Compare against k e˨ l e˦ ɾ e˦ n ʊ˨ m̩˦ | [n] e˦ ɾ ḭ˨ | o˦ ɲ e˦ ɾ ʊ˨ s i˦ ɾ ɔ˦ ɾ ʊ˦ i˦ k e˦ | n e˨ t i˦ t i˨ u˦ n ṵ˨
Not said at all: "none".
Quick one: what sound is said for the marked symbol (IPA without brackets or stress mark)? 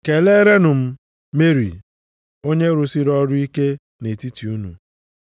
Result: m